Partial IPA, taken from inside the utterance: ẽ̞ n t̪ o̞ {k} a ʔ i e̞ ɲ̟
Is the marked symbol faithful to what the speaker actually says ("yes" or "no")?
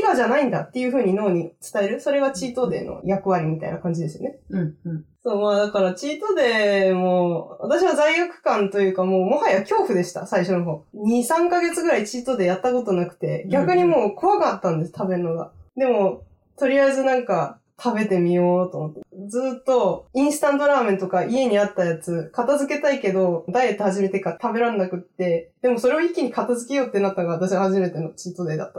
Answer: yes